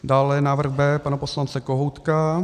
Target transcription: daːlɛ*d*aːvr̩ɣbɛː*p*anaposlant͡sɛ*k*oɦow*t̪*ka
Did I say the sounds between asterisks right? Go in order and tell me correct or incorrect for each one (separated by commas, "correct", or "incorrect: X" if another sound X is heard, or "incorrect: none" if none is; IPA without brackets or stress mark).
incorrect: n, correct, correct, correct